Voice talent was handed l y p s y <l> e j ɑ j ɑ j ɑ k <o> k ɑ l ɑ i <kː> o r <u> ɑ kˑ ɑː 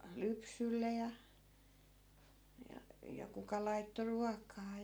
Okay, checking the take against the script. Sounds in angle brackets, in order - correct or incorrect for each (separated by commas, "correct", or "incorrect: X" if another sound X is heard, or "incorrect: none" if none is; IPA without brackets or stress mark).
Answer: incorrect: lː, incorrect: u, incorrect: tː, correct